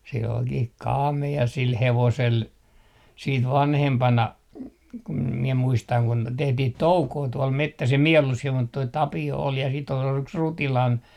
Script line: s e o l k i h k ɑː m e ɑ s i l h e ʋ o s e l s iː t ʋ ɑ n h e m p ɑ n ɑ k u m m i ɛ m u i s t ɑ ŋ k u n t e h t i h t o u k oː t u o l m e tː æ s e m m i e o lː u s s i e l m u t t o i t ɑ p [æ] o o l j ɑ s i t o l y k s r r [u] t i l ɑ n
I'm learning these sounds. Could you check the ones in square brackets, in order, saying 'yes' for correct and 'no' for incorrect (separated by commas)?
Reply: no, yes